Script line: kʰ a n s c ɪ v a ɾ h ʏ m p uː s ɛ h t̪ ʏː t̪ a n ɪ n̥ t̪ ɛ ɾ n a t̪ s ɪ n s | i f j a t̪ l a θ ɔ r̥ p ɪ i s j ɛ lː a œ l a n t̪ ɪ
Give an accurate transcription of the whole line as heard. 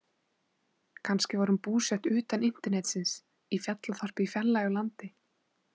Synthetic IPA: kʰ a n s c ɪ v a ɾ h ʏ m p uː s ɛ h t̪ ʏː t̪ a n ɪ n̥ t̪ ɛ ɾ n ɛ t̪ s ɪ n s | i f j a t̪ l a θ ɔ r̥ p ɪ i f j ɛ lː a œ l a n t̪ ɪ